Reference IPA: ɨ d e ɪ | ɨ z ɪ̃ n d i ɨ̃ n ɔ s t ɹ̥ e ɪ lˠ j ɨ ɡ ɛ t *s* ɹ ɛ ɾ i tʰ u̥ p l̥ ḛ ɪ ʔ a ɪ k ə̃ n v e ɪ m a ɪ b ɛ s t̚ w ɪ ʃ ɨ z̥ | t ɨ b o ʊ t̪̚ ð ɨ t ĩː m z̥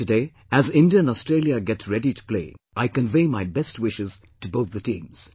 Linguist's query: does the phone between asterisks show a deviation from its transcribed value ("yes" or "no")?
no